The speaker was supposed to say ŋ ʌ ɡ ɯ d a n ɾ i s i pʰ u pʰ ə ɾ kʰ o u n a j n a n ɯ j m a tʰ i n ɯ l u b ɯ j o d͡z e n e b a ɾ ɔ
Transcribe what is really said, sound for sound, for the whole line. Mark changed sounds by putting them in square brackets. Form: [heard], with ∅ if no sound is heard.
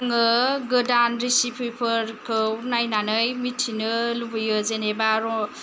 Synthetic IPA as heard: ŋ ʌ ɡ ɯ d a n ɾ i s i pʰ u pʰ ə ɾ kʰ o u n a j n a n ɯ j m [i] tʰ i n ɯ l u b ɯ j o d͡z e n e b a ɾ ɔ